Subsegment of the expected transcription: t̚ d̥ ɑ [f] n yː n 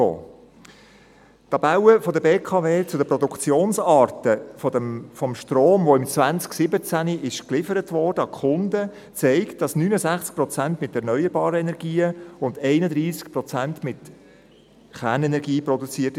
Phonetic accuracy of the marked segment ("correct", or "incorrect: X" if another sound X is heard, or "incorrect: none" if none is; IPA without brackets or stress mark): incorrect: s